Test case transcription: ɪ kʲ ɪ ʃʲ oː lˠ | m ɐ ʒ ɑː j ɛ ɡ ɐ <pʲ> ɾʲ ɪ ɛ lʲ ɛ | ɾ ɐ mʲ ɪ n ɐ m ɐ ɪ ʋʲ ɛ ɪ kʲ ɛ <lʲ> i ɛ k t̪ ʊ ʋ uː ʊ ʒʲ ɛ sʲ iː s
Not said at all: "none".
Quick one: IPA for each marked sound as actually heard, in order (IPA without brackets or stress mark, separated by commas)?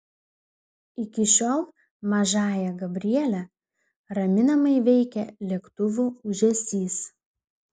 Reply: bʲ, lʲ